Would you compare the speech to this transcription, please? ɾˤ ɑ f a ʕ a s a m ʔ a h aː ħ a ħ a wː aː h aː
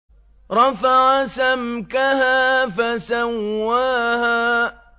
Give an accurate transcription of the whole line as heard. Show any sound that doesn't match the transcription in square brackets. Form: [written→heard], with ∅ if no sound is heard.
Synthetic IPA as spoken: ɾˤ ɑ f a ʕ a s a m [ʔ→k] a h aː [ħ→f] a [ħ→s] a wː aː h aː